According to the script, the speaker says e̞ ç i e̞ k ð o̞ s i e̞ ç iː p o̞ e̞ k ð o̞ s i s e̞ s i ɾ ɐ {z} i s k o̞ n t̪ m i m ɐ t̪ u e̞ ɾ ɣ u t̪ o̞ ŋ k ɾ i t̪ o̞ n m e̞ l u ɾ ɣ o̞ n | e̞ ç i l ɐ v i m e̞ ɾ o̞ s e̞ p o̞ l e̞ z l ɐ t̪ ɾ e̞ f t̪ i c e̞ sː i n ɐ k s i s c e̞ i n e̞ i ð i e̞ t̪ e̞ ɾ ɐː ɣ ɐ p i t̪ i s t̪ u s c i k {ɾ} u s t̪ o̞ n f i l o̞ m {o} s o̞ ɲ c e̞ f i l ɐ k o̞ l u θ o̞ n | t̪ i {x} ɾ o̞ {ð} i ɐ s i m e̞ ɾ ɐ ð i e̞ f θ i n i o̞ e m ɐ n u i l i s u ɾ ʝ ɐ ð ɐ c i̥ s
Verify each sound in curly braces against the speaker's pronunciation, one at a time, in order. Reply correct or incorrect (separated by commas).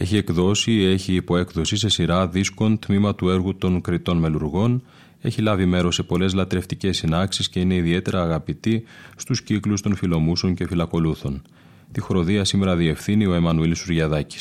incorrect, incorrect, incorrect, correct, correct